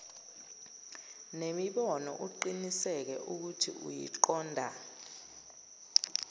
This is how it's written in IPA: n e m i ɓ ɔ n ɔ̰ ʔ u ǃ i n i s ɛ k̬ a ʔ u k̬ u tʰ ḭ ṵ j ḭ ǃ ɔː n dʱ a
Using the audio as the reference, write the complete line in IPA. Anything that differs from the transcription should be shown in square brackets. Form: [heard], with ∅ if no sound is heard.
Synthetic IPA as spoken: n e m i ɓ ɔ n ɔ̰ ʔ u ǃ i n i s ɛ k̬ [ɛ] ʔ u k̬ u tʰ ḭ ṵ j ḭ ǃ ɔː n dʱ a